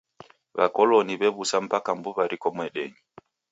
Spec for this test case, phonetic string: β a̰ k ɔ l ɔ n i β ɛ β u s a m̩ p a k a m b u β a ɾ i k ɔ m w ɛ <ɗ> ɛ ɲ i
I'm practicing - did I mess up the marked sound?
no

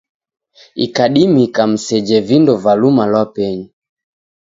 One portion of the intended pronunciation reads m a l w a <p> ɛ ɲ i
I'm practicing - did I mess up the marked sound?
no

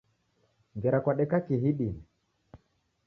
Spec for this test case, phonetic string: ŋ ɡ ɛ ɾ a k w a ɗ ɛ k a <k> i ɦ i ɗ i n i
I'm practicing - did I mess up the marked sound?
no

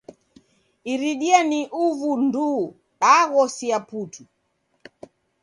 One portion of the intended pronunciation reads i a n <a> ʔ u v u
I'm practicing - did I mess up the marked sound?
yes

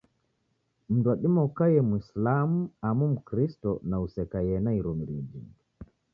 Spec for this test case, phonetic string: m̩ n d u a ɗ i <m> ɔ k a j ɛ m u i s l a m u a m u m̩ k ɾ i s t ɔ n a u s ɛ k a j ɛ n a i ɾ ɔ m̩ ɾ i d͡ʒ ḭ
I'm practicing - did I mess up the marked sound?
no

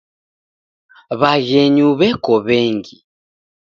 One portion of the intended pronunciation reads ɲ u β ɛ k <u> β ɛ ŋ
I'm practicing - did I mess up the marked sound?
yes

